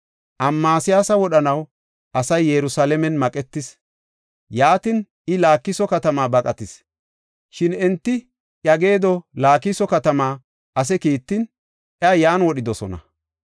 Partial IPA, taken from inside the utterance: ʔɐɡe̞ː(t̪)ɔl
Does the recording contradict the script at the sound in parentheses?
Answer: yes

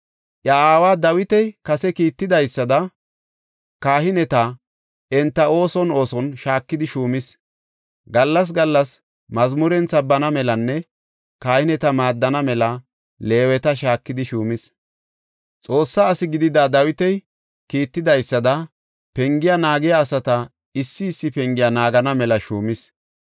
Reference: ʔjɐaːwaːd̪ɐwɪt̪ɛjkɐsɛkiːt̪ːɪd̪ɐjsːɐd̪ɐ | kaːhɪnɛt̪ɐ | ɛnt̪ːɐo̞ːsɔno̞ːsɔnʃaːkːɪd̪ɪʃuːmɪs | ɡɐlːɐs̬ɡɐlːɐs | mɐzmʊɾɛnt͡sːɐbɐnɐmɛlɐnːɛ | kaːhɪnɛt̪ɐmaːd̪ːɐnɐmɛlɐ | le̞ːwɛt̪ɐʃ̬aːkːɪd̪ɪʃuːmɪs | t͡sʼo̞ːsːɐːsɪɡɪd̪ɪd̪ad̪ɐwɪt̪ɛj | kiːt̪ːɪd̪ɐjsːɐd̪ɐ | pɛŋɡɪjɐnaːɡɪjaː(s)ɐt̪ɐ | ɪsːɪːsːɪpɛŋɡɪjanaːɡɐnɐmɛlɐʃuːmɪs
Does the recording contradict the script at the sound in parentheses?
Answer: no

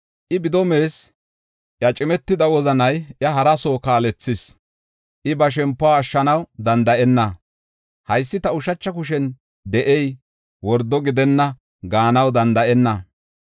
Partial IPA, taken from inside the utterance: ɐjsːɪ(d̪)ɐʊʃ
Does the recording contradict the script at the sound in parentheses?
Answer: yes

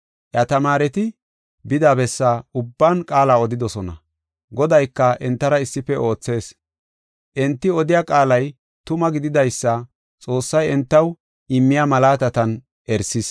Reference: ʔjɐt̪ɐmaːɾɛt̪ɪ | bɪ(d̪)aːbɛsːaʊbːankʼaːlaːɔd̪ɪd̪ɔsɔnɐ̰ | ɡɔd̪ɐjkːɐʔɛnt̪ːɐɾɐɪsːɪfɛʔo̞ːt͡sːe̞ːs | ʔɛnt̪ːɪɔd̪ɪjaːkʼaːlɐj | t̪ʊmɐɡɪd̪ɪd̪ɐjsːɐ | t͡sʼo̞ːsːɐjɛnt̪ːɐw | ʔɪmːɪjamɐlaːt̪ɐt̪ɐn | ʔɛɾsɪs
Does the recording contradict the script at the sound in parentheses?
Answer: no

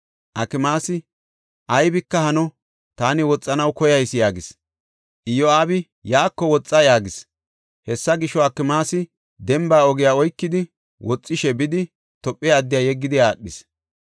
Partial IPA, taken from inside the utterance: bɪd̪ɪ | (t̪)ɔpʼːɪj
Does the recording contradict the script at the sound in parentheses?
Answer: no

